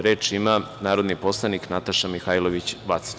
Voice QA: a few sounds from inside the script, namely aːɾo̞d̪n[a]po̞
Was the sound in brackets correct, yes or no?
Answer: no